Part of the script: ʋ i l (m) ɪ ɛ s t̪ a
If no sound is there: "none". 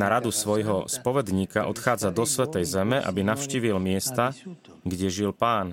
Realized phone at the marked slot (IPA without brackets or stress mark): m